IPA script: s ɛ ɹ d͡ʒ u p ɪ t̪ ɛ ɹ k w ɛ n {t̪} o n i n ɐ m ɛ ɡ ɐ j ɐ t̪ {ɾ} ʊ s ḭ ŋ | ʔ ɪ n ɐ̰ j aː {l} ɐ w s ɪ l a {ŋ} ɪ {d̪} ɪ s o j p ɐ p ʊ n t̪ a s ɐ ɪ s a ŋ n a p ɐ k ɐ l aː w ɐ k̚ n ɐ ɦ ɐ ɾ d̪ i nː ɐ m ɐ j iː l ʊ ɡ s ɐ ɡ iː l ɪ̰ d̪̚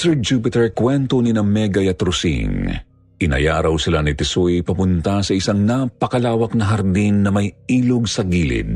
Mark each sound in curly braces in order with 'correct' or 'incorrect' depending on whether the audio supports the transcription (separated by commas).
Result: correct, correct, incorrect, incorrect, incorrect